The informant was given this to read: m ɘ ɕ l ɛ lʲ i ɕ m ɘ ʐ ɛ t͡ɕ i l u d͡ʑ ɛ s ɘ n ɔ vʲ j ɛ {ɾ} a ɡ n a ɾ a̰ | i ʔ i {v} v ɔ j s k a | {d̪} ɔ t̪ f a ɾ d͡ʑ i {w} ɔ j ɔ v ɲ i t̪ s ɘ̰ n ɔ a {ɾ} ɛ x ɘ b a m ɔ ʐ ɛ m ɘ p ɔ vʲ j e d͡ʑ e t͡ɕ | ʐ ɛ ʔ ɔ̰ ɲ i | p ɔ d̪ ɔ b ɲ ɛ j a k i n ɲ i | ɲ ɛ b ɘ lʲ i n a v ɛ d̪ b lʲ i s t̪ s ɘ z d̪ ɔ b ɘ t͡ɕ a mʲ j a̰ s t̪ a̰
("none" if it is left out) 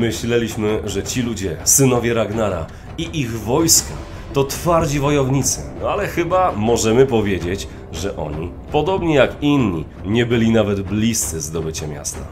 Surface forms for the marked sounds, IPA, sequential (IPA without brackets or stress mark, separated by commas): ɾ, ɣ, t̪, v, l